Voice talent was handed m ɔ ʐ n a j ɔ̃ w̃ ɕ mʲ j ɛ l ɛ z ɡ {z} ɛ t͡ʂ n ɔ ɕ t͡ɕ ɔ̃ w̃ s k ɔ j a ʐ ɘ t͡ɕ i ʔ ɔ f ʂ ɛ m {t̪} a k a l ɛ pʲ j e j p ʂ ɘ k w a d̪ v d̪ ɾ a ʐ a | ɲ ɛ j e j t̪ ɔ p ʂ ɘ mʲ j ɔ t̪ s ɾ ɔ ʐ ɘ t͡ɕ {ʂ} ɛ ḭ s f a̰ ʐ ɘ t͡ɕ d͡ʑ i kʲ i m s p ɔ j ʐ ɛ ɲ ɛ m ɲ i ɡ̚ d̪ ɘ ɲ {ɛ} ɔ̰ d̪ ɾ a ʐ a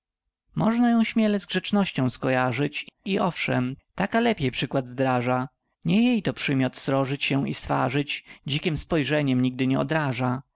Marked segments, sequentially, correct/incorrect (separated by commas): incorrect, correct, incorrect, correct